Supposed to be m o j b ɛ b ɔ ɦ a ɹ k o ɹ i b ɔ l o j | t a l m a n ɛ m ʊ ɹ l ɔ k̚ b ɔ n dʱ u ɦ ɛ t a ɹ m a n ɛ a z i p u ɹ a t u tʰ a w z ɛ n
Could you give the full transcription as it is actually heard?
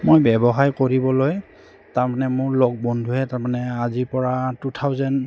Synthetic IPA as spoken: m o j b ɛ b ɔ ɦ a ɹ k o ɹ i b ɔ l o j | t a ɹ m a n ɛ m ʊ ɹ l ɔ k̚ b ɔ n dʱ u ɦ ɛ t a ɹ m a n ɛ a z i p ɔ ɹ a t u tʰ a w z ɛ n